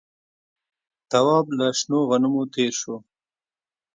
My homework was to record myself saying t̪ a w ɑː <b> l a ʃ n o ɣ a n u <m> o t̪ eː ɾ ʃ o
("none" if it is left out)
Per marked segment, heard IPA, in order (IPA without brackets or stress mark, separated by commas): b, m